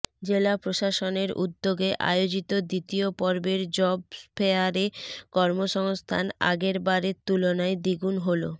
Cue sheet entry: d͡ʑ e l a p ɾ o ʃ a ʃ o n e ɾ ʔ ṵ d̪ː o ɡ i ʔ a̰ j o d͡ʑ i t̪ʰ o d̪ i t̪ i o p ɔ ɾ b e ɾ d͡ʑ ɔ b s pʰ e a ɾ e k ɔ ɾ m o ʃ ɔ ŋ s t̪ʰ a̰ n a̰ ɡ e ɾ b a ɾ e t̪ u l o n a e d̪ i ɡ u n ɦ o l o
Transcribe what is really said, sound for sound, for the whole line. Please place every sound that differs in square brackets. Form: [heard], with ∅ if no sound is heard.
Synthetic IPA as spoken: d͡ʑ e l a p ɾ o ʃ a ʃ o n e ɾ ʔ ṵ d̪ː o ɡ [e] ʔ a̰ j o d͡ʑ i [t̪] o d̪ i t̪ i o p ɔ ɾ b e ɾ d͡ʑ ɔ b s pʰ e a ɾ e k ɔ ɾ m o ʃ ɔ ŋ s t̪ʰ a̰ n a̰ ɡ e ɾ b a ɾ e t̪ u l o n a e d̪ i ɡ u n ɦ o l o